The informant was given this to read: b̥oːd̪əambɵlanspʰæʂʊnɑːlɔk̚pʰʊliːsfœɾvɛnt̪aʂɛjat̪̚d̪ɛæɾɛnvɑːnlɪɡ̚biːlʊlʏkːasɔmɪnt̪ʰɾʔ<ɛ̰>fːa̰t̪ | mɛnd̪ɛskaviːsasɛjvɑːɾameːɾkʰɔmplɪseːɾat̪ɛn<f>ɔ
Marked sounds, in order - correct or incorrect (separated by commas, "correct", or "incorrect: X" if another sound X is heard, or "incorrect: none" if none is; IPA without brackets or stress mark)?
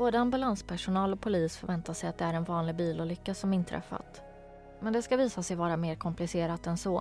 correct, incorrect: s